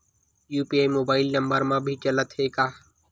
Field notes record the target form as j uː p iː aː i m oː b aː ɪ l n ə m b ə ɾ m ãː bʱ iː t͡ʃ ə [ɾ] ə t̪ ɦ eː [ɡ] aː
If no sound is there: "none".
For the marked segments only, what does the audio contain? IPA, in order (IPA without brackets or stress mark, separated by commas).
l, k